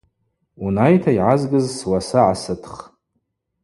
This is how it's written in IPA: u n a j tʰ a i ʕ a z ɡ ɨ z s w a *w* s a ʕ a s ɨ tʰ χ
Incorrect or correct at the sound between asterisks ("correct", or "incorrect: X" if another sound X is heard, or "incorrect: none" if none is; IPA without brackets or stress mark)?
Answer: incorrect: none